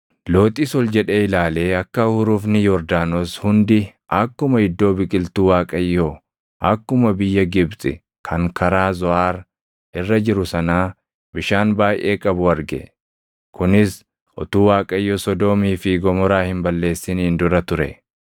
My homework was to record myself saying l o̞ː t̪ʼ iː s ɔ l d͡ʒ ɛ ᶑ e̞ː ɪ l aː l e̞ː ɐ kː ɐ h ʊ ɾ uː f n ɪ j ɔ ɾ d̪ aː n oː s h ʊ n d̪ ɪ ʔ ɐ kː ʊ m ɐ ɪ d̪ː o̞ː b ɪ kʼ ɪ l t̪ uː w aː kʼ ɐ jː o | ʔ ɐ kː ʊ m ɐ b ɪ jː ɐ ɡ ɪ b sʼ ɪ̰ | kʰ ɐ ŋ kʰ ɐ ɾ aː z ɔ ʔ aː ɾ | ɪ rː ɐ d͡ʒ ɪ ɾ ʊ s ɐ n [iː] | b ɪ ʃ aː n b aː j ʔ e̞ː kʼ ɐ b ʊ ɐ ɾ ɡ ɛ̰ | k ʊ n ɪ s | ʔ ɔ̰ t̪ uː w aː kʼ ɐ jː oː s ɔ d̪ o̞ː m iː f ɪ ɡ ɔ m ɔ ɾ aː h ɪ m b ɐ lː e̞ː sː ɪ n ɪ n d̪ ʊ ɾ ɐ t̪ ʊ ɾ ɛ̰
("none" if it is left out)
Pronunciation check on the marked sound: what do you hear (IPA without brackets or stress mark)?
aː